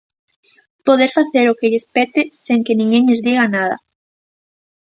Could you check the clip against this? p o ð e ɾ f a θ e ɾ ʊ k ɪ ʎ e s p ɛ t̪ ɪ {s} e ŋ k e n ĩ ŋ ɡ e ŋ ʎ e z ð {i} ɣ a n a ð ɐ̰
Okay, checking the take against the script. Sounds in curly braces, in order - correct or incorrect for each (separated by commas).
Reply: correct, correct